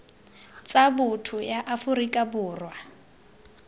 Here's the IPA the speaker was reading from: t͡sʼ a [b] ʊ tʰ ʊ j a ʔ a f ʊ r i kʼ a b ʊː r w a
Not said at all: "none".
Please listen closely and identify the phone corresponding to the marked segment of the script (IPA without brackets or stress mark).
b